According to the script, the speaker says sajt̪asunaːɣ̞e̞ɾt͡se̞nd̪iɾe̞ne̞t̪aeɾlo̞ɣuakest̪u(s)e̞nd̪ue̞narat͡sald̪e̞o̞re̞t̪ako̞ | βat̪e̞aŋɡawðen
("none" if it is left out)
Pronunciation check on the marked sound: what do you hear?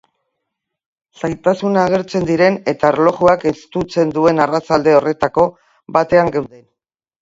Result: t͡s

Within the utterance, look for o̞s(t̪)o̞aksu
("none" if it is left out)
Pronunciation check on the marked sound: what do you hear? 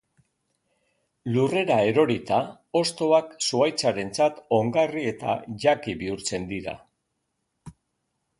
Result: t̪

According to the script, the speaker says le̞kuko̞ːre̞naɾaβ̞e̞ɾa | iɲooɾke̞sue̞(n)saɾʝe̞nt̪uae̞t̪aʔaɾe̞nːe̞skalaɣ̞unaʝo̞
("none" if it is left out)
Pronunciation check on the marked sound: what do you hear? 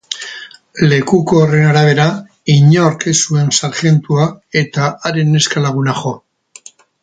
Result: n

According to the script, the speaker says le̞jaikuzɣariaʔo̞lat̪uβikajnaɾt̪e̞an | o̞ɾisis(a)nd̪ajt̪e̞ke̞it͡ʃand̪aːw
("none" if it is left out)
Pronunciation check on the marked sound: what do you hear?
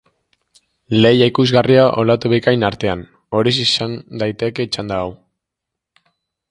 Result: a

